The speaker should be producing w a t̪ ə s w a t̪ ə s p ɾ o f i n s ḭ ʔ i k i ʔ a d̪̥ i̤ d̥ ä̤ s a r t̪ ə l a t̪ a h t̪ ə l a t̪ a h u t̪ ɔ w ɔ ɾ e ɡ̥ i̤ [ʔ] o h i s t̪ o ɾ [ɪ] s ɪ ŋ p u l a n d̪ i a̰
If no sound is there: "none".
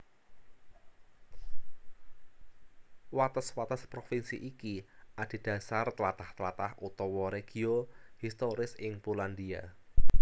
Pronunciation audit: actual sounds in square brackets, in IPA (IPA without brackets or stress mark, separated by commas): none, ɪ